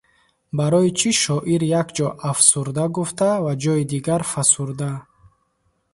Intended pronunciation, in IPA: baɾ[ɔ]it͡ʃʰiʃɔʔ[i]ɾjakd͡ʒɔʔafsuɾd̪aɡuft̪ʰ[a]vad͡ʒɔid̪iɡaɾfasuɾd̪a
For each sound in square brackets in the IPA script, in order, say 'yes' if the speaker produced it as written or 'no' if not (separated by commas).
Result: yes, yes, yes